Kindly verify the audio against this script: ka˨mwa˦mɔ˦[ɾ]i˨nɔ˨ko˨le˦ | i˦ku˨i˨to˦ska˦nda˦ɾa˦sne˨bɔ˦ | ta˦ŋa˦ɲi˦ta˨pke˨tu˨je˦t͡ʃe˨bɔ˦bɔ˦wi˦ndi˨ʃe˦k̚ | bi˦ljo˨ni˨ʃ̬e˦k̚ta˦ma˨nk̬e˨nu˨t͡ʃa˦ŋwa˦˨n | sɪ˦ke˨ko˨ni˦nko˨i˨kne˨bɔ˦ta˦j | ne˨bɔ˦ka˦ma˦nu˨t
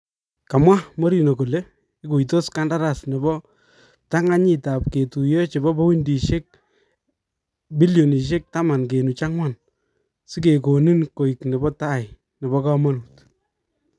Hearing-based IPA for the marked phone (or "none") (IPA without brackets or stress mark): ɾ